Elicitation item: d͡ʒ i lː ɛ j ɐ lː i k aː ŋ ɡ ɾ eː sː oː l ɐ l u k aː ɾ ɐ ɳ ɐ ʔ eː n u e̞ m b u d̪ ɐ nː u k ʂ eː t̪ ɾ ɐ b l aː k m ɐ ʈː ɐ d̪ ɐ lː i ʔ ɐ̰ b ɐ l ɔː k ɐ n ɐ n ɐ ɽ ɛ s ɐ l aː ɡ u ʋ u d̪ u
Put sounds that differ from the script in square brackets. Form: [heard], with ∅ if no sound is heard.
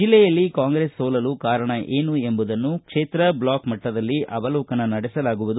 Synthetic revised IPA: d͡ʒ i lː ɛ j ɐ lː i k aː ŋ ɡ ɾ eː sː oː l ɐ l u k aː ɾ ɐ ɳ ɐ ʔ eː n u e̞ m b u d̪ ɐ nː u k ʂ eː t̪ ɾ ɐ b l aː k m ɐ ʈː ɐ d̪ ɐ lː i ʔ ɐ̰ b ɐ l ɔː k ɐ n ɐ n ɐ ɽ ɛ s ɐ l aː ɡ u ʋ u d̪ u